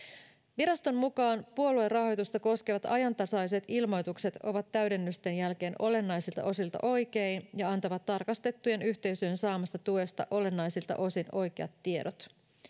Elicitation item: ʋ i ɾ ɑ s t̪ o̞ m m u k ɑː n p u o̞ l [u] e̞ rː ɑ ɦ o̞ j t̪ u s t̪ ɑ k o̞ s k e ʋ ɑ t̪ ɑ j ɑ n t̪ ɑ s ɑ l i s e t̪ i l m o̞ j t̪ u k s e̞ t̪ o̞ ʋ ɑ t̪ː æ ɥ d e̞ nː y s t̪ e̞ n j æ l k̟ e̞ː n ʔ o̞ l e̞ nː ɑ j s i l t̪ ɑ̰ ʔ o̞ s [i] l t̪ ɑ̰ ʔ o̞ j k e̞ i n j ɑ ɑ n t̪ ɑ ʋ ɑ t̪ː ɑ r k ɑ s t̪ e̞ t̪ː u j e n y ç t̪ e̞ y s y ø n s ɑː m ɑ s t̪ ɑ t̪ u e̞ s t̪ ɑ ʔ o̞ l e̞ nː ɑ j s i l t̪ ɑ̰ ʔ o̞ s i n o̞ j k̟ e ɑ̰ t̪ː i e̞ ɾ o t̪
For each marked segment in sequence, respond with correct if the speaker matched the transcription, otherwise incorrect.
correct, correct

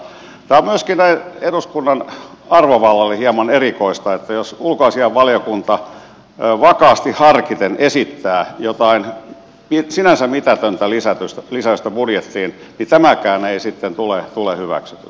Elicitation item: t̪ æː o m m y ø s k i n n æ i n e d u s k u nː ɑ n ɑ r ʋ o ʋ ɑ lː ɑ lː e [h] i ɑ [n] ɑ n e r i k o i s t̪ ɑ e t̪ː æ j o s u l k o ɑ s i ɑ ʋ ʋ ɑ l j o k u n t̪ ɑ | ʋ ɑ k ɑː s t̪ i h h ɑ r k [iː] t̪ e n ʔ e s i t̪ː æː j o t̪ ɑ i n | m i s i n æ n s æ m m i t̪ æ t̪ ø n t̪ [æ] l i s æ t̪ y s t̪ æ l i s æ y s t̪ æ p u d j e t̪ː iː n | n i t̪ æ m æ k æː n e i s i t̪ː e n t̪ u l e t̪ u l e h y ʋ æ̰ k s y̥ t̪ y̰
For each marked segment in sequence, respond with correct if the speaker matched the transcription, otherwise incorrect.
correct, incorrect: m, incorrect: i, correct

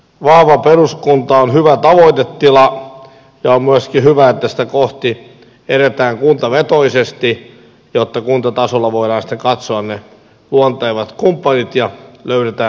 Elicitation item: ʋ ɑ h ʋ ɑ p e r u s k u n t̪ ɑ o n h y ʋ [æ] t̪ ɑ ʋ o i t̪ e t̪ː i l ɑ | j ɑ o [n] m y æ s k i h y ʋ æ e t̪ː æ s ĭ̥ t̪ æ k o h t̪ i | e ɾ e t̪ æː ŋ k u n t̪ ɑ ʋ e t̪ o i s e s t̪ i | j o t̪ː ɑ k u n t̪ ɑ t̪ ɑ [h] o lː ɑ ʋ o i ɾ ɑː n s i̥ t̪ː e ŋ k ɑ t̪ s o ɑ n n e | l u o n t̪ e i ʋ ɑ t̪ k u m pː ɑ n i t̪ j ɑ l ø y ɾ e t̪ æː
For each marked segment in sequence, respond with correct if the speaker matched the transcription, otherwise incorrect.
correct, incorrect: m, incorrect: s

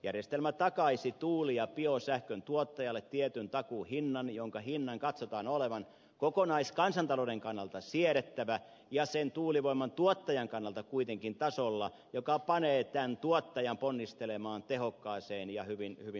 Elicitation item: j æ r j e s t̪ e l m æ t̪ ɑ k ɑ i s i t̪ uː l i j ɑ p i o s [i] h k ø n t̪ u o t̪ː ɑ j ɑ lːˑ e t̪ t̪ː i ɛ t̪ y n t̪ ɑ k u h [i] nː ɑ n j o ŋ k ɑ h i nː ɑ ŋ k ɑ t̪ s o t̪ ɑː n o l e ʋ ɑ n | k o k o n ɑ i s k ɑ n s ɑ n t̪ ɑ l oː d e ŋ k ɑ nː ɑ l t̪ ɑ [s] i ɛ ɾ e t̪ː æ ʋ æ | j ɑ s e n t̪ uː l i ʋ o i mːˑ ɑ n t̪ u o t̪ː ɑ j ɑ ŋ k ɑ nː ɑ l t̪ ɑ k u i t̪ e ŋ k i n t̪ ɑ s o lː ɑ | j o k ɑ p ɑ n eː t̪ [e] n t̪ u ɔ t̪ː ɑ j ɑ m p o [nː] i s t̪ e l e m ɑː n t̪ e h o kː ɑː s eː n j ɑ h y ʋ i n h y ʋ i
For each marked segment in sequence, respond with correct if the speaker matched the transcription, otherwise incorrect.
incorrect: æ, correct, correct, incorrect: æ, correct

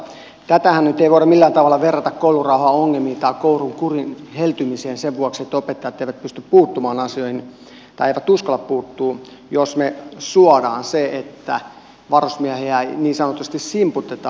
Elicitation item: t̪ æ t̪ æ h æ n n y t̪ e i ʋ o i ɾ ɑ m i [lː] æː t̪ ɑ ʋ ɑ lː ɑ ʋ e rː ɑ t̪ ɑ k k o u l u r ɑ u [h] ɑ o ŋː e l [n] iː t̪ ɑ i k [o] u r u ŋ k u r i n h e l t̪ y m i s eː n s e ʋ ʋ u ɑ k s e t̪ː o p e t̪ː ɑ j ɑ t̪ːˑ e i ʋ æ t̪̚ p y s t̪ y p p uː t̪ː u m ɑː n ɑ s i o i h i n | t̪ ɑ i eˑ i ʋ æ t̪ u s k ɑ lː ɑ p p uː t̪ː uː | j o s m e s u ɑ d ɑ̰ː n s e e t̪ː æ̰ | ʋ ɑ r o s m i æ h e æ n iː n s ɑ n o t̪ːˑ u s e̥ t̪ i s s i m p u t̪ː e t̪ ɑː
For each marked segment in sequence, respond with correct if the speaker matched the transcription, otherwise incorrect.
correct, correct, incorrect: m, correct

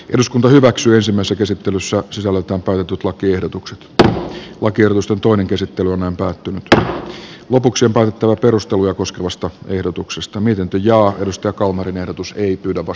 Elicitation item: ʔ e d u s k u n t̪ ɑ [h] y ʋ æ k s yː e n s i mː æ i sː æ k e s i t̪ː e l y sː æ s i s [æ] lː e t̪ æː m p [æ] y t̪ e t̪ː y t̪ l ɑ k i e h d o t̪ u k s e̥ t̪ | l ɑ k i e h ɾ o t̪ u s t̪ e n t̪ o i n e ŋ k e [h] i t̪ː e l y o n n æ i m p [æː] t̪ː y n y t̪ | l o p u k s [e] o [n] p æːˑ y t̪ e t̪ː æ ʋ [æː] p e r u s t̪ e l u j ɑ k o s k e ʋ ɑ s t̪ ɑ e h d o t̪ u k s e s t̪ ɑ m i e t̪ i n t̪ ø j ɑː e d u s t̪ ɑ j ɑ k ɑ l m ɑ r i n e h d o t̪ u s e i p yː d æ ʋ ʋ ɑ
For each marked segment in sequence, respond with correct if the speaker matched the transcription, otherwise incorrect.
correct, correct, correct, incorrect: s, correct, incorrect: i, incorrect: m, incorrect: æ

